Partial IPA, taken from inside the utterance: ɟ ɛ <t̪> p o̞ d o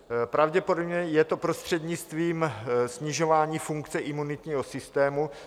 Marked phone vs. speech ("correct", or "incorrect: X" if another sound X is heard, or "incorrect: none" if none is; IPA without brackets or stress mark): incorrect: none